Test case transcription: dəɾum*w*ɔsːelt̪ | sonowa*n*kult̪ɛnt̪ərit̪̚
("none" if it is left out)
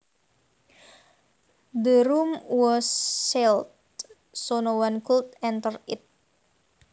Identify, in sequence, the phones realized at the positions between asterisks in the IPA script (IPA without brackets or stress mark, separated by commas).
w, n